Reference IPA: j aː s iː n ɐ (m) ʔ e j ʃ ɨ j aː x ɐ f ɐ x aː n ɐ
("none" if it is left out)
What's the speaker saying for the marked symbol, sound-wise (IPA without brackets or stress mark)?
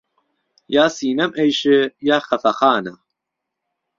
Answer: m